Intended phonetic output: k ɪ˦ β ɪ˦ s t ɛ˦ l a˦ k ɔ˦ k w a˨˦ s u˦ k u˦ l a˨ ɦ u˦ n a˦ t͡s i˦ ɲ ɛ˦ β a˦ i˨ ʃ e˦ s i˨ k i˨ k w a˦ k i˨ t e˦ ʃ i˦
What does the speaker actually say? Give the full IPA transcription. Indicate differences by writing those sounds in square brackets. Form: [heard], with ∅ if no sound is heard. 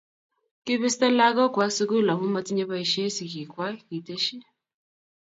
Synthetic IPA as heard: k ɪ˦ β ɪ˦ s t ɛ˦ l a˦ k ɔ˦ k w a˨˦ s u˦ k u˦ l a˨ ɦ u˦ [m] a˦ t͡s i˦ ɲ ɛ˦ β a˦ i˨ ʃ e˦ s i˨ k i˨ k w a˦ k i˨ t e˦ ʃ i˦